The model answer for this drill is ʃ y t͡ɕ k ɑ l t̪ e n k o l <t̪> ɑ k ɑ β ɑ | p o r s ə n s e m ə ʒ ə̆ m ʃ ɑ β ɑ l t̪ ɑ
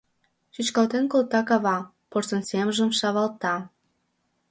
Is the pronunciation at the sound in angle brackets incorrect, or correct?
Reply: correct